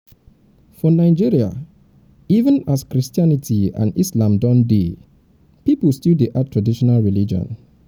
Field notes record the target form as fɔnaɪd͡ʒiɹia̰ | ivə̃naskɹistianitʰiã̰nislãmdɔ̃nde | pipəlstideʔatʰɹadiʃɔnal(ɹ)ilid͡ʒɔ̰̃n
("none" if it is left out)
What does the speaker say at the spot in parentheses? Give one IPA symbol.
ɹ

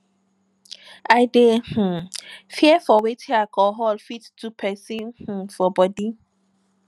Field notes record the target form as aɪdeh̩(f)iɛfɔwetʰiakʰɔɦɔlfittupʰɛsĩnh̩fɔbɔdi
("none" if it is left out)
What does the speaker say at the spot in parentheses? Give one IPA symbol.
f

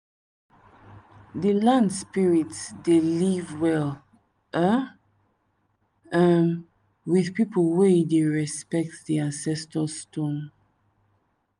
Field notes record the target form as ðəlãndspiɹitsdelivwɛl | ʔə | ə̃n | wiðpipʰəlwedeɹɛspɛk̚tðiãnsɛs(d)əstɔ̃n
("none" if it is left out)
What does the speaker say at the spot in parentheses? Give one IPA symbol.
t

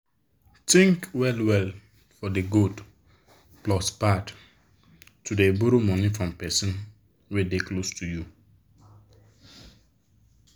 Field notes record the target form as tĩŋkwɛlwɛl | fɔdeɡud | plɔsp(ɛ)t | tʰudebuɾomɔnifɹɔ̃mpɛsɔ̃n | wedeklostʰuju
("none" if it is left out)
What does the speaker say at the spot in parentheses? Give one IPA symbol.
a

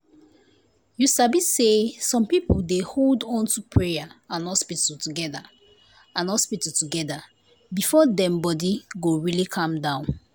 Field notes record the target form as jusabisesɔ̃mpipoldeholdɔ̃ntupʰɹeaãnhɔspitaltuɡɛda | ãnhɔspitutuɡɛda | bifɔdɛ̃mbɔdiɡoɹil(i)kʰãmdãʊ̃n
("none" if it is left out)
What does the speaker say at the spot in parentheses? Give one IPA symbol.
i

